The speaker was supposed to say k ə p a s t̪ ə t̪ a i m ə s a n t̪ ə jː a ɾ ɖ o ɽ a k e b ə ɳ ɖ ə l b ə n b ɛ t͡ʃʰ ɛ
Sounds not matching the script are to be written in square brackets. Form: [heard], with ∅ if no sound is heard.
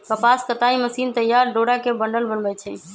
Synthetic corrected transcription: k ə p a s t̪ ə t̪ a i m ə s [i] n t̪ ə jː a ɾ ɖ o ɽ a k e b ə ɳ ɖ ə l b ə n b ɛ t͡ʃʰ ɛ